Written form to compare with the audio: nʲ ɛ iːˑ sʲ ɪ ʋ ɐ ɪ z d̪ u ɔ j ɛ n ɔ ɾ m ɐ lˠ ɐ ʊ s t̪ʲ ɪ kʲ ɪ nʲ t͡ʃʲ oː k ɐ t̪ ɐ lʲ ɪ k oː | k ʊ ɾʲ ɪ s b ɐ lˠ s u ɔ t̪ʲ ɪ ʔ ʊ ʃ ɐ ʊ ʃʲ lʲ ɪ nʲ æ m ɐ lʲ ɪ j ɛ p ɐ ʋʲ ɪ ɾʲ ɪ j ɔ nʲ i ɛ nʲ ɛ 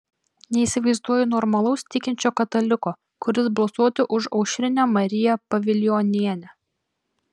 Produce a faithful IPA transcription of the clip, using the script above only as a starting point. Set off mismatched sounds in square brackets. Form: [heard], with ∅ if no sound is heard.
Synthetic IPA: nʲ ɛ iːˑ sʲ ɪ ʋ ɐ ɪ z d̪ u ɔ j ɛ n ɔ ɾ m ɐ lˠ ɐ ʊ s t̪ʲ ɪ kʲ ɪ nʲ t͡ʃʲ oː k ɐ t̪ ɐ lʲ ɪ k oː | k ʊ ɾʲ ɪ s b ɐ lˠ s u ɔ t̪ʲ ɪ ʔ ʊ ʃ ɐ ʊ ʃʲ [ɾʲ] ɪ nʲ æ m ɐ [ɾʲ] ɪ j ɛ p ɐ ʋʲ ɪ [lʲ] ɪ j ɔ nʲ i ɛ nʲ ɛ